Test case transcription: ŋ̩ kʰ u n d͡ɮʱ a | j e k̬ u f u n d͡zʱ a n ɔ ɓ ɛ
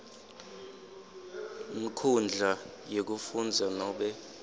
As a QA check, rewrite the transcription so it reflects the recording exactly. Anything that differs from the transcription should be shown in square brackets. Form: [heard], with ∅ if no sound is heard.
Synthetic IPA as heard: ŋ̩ kʰ u n d͡ɮʱ a | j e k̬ u f u n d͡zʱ a n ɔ ɓ ɛ